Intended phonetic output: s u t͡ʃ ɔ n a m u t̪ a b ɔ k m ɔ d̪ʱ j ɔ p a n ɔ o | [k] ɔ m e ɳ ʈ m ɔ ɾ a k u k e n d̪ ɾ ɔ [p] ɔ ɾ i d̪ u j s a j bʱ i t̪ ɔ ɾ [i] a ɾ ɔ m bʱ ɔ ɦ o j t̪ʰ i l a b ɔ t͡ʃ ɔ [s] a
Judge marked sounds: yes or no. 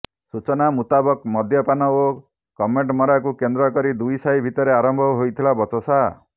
yes, no, no, yes

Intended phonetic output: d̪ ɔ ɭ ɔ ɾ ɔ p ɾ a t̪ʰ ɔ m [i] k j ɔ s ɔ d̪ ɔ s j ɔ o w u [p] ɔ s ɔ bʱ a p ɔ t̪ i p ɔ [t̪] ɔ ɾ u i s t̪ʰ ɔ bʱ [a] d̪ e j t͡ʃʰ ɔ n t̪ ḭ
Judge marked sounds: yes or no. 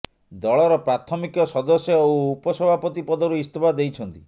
yes, yes, no, yes

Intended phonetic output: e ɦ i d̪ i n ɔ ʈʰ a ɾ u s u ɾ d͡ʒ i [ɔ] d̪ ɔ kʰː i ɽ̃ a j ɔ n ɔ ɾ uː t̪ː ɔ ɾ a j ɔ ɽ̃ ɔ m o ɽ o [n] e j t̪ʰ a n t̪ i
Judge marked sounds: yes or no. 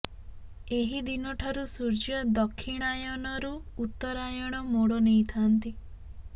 yes, yes

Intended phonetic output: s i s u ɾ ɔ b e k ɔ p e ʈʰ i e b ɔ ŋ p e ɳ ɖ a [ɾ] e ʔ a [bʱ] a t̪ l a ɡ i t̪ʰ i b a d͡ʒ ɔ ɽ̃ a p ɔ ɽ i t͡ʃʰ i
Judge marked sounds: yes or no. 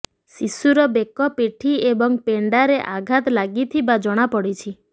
yes, no

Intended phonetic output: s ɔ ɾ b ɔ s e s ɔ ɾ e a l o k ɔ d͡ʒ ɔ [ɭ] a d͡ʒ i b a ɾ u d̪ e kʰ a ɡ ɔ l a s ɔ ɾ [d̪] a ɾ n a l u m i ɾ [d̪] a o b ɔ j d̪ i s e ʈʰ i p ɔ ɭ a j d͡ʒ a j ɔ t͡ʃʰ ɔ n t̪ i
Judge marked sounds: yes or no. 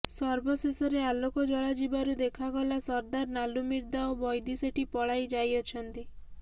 yes, yes, yes

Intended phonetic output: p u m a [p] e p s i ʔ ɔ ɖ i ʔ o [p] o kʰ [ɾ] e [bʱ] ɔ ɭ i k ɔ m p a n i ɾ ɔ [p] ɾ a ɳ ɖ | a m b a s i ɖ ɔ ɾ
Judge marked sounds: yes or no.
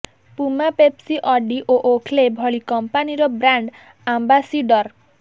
yes, no, no, yes, no

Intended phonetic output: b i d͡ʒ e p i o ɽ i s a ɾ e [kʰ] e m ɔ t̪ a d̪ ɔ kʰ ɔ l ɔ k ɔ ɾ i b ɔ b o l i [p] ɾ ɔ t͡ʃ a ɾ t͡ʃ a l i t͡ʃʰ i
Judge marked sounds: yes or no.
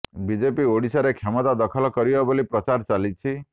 yes, yes

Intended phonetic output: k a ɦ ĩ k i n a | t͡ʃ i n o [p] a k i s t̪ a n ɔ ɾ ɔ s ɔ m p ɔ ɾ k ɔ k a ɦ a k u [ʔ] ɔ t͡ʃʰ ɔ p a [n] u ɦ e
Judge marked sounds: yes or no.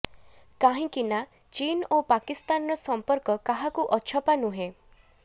yes, yes, yes

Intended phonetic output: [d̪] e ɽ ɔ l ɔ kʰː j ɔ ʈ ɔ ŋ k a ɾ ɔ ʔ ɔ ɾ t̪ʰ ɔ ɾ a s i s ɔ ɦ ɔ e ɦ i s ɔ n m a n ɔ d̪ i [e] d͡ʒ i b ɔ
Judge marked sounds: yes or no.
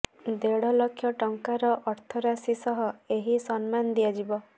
yes, no

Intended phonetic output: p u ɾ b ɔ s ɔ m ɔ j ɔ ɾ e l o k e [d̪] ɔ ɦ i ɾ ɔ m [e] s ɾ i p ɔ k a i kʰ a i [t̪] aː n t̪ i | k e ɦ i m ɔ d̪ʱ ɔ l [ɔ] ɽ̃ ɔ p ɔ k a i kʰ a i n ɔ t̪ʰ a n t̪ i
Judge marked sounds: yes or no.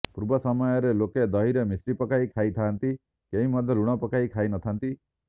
yes, no, no, no

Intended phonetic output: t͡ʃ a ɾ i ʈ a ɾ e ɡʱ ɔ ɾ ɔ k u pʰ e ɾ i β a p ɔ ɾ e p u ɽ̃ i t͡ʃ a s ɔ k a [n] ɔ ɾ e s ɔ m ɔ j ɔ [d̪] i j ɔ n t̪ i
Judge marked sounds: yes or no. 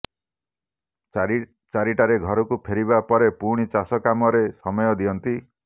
no, yes

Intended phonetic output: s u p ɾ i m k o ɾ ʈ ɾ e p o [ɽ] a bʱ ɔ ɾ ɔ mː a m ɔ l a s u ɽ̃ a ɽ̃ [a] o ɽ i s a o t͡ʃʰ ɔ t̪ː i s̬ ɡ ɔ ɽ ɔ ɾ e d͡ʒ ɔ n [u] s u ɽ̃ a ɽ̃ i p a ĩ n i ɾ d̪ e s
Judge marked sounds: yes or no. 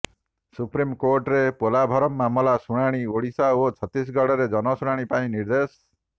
no, no, no

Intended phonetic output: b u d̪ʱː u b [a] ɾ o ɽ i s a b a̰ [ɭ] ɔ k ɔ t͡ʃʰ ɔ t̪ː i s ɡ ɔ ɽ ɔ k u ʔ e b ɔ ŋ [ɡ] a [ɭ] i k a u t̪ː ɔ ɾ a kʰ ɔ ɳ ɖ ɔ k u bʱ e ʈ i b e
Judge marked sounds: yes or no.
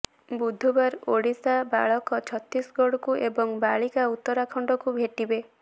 yes, yes, no, yes

